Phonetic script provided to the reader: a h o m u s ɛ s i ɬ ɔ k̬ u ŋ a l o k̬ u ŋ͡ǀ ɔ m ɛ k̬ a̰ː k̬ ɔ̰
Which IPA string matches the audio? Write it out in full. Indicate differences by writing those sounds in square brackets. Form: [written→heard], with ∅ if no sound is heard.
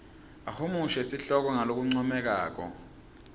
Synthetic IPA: a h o m u [s→ʃ] ɛ s i ɬ ɔ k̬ [u→ɔ] ŋ a l o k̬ u ŋ͡ǀ ɔ m ɛ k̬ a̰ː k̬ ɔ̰